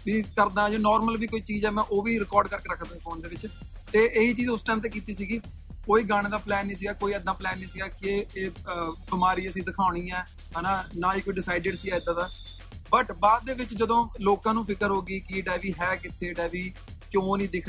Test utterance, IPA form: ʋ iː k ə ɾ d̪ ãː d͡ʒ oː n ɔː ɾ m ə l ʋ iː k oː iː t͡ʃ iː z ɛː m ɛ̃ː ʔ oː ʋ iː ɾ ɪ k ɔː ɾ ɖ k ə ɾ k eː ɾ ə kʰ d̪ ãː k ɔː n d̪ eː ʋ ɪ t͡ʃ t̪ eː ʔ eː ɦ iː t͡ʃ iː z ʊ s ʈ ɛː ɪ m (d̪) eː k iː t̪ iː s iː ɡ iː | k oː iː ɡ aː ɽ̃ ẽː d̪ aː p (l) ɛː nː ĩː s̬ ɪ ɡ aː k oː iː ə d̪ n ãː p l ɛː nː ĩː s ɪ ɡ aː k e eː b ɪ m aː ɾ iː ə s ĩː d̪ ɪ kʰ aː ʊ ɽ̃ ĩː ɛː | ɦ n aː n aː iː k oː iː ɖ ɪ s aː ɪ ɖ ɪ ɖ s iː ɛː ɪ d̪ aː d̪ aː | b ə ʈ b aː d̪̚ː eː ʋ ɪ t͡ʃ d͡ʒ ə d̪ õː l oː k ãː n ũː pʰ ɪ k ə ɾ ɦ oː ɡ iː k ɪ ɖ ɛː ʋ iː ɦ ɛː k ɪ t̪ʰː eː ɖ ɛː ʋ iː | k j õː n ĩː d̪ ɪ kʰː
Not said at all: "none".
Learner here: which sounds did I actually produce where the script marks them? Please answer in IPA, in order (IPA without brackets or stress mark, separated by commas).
t̪, l